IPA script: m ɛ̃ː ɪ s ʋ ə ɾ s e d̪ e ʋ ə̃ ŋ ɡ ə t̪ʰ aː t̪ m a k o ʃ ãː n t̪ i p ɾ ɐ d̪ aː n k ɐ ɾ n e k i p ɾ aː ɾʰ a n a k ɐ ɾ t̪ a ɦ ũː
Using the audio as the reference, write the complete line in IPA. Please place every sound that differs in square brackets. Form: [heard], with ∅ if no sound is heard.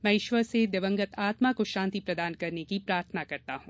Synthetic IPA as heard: m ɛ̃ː ɪ [ʃ] ʋ ə ɾ s e d̪ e ʋ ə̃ ŋ ɡ ə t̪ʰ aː t̪ m a k o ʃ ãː n t̪ i p ɾ ɐ d̪ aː n k ɐ ɾ n e k i p ɾ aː ɾʰ [ə] n a k ɐ ɾ t̪ a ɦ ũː